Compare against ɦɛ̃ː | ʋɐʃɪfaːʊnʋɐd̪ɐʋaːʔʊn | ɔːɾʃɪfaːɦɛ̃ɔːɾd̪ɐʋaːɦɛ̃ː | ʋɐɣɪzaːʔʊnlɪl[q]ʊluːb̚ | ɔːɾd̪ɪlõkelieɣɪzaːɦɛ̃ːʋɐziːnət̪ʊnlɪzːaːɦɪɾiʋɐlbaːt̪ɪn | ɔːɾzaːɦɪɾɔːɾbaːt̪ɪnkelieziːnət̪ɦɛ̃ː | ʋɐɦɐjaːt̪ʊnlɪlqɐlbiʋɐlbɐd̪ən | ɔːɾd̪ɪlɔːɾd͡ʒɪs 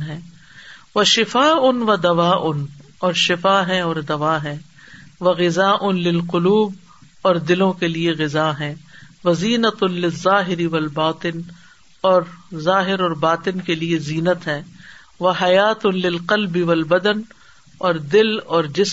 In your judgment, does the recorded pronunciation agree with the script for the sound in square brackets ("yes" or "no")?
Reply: yes